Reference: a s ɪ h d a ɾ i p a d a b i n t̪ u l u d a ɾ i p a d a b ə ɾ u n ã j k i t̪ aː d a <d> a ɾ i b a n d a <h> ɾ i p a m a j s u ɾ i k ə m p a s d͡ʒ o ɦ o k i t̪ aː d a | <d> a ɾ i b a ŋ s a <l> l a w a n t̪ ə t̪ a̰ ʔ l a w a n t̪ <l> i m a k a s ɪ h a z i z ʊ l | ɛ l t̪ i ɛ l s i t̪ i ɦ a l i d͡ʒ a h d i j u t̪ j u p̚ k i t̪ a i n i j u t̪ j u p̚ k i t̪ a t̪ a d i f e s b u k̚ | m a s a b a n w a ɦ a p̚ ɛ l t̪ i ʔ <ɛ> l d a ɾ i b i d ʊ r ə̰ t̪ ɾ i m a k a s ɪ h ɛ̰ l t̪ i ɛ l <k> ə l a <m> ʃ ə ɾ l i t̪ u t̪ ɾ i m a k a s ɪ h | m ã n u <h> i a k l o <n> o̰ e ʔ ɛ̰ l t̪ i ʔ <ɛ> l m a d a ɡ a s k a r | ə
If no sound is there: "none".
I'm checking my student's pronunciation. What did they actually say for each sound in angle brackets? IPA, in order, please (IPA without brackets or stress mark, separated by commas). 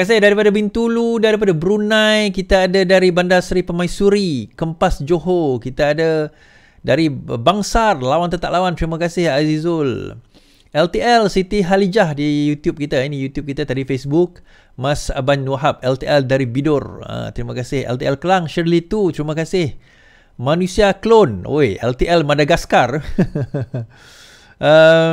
d, s, d, r, ɾ, ɛ, k, ŋ, s, n, ɛ